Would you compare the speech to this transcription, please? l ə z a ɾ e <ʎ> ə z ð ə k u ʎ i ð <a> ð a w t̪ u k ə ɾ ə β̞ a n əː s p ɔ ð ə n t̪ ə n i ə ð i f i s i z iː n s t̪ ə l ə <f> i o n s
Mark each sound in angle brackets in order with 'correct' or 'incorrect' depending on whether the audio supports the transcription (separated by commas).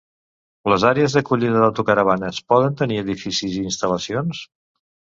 incorrect, incorrect, incorrect